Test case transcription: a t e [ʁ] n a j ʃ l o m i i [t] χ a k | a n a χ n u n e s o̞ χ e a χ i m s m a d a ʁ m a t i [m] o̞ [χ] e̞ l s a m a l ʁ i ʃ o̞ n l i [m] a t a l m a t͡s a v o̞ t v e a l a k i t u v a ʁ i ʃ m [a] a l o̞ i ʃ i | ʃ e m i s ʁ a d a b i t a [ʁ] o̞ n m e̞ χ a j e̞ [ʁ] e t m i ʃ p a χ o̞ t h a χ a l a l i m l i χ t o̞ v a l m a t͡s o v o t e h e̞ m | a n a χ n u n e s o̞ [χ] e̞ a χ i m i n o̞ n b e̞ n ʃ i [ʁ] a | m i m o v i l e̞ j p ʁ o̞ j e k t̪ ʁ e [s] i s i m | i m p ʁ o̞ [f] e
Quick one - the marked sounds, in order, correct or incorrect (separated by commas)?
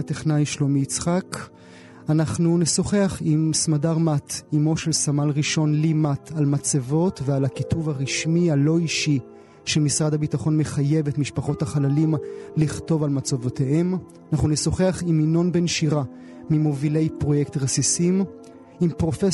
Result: incorrect, incorrect, correct, incorrect, correct, incorrect, incorrect, incorrect, correct, correct, correct, correct